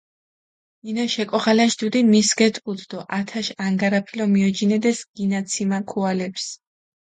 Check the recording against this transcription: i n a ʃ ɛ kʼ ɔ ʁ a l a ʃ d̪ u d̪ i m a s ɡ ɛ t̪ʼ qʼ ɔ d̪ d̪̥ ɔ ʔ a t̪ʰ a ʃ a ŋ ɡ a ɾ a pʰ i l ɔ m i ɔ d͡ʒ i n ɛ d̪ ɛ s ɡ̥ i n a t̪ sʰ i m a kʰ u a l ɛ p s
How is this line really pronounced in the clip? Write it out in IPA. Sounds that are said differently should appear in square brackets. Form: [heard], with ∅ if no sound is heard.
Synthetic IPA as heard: i n a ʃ ɛ kʼ ɔ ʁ a l a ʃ d̪ u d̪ i m [i] s ɡ ɛ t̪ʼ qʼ [u] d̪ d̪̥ ɔ ʔ a t̪ʰ a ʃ a ŋ ɡ a ɾ a pʰ i l ɔ m i ɔ d͡ʒ i n ɛ d̪ ɛ s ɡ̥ i n a t̪ sʰ i m a kʰ u a l ɛ p s